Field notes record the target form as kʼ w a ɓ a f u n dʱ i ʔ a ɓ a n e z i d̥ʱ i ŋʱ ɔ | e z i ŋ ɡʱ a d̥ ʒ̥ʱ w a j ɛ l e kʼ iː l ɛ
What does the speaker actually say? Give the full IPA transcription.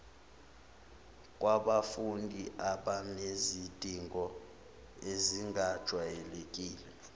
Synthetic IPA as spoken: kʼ w a ɓ a f u n dʱ i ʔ a ɓ a n e z i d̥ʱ i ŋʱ ɔ | e z i ŋ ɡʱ a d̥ ʒ̥ʱ w a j ɛ l e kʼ iː l ɛ